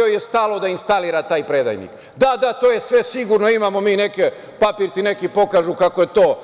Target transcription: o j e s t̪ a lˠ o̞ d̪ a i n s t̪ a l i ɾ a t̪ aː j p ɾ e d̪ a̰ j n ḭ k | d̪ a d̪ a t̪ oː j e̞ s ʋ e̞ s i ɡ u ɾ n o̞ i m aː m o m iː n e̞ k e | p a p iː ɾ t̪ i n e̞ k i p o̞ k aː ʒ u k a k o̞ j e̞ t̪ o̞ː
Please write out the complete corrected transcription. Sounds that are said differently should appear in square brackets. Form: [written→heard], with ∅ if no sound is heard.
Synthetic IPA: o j e s t̪ a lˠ o̞ d̪ a i n s t̪ a l i ɾ a t̪ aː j p ɾ e d̪ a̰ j n ḭ k | d̪ a d̪ a t̪ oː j e̞ s ʋ e̞ s i ɡ u ɾ n o̞ i m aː m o m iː n e̞ k e | p a p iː ɾ t̪ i n e̞ k i p o̞ k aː ʒ u k a k o̞ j e̞ t̪ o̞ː